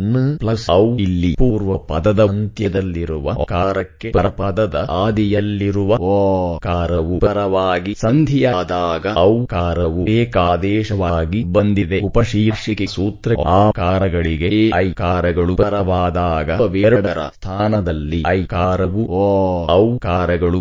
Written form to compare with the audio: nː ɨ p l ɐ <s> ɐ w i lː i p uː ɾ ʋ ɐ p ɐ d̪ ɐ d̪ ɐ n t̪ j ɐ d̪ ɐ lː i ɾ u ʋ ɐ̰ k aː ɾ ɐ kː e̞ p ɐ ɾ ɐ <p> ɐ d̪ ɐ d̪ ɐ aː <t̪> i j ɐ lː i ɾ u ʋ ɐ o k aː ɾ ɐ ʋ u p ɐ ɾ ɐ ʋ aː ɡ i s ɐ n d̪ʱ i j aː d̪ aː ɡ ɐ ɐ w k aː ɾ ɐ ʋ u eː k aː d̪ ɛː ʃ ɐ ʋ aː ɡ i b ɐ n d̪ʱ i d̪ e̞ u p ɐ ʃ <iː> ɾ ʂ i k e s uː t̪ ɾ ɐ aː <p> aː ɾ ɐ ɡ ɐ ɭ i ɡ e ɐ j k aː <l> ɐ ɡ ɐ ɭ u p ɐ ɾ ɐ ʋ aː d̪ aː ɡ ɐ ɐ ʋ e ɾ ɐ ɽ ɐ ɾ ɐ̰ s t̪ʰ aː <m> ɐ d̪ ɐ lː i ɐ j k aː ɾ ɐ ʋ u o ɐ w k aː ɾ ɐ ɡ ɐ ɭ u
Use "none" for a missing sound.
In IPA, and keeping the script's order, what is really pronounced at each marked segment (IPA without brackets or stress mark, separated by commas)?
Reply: s, p, d̪, iː, k, ɾ, n